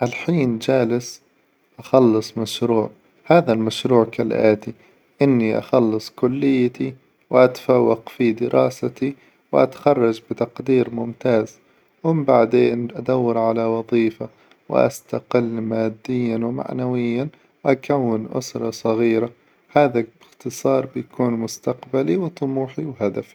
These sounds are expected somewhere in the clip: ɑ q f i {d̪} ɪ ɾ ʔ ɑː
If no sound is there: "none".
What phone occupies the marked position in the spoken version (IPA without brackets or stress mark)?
d̪